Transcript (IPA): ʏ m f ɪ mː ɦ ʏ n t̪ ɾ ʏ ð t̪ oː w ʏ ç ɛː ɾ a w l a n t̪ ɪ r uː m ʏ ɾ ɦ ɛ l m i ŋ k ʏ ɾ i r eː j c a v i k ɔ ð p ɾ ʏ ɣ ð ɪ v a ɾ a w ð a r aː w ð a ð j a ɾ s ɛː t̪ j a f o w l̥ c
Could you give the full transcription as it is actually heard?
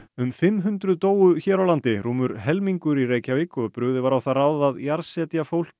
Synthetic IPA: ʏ m f ɪ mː ɦ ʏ n t̪ ɾ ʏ ð t̪ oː w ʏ ç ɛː ɾ a w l a n t̪ ɪ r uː m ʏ ɾ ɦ ɛ l m i ŋ k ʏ ɾ i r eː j c a v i k ɔ ð p ɾ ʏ ɣ ð ɪ v a ɾ a w θ a r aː w ð a ð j a ɾ s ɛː t̪ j a f o w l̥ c